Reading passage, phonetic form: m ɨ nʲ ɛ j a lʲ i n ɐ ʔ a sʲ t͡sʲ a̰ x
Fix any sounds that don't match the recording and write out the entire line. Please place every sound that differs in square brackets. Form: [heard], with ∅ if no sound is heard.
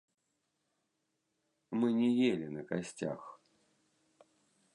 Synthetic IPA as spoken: m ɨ nʲ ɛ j [e] lʲ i n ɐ [k] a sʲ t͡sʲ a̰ x